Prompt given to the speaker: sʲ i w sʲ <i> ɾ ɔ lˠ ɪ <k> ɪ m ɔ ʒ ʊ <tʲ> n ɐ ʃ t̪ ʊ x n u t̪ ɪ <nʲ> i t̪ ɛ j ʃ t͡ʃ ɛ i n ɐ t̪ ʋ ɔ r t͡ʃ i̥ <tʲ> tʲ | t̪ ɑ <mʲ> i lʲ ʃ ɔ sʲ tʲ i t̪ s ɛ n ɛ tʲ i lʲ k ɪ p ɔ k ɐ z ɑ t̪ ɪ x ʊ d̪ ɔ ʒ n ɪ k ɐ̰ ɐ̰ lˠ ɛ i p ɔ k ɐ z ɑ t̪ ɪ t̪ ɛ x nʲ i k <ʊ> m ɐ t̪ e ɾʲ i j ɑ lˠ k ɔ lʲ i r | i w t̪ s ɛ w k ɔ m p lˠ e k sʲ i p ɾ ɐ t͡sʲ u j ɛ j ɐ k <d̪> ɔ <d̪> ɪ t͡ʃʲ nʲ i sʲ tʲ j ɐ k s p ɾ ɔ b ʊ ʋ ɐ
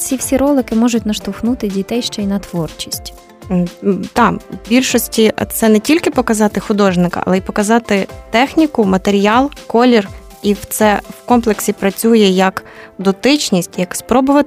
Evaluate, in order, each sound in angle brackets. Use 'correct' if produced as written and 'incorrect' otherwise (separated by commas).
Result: correct, correct, correct, incorrect, incorrect, incorrect, correct, correct, incorrect